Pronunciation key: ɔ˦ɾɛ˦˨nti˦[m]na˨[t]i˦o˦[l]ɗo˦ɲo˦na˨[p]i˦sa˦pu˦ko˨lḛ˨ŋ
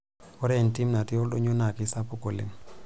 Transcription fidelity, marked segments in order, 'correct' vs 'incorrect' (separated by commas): correct, correct, correct, incorrect